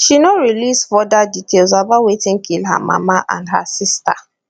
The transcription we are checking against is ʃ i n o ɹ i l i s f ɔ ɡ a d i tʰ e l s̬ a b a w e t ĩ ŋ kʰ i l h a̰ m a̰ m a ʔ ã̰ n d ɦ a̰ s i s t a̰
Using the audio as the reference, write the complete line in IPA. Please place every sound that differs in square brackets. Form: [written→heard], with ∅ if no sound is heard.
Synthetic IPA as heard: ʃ i n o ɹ i l i s f ɔ [ɡ→d] a d i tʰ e l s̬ a b a w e t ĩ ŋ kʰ i l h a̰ m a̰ m a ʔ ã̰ n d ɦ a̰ s i s t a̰